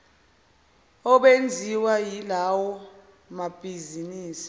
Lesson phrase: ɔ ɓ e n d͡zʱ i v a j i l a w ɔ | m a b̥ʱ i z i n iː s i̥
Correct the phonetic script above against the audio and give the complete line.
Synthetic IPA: ɔ ɓ e n d͡zʱ i w a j i l a w ɔ | m a b̥ʱ i z i n iː s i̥